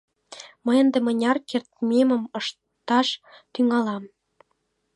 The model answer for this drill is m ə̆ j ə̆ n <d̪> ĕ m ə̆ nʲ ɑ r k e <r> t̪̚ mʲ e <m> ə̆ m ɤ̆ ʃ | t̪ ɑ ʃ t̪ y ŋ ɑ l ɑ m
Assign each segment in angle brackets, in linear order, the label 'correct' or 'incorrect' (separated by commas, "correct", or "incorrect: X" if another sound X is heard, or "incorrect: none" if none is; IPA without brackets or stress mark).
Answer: correct, correct, correct